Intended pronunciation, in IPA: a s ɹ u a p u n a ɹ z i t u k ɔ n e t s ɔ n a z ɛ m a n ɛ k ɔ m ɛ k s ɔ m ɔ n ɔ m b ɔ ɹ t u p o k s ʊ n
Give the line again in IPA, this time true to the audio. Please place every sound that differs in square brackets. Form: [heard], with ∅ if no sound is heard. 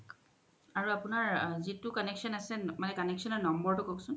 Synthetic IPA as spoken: a [∅] ɹ u a p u n a ɹ z i t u k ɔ n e [k] s ɔ n a [s] ɛ m a n ɛ k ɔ [n] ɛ k s ɔ [n] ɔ n ɔ m b ɔ ɹ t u [k] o k s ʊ n